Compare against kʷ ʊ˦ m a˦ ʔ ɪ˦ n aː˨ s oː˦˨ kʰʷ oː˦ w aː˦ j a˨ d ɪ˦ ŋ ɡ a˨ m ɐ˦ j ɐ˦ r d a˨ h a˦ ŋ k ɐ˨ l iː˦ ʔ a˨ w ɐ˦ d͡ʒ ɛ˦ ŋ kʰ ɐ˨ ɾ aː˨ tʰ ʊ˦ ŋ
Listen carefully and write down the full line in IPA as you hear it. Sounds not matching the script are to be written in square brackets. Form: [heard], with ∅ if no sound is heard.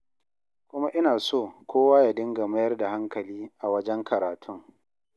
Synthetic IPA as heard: kʷ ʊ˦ m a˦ ʔ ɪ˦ n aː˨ s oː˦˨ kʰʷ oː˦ w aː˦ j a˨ d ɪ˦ ŋ ɡ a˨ m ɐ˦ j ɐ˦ r d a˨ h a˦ ŋ k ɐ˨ l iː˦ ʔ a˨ w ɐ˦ d͡ʒ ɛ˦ ŋ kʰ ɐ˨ ɾ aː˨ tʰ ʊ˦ ŋ